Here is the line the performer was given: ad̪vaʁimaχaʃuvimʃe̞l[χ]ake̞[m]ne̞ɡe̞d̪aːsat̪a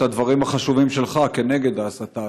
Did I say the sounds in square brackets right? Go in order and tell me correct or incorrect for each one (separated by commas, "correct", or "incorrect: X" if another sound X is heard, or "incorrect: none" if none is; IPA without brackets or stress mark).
correct, incorrect: none